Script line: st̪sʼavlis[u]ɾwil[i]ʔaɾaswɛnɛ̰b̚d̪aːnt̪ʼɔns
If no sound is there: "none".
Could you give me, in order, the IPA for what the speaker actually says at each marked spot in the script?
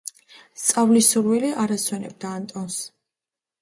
u, i

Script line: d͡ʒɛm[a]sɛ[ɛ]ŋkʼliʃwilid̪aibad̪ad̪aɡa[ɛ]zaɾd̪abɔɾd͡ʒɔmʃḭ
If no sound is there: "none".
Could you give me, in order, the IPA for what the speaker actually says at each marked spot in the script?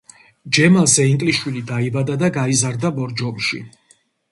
a, i, i

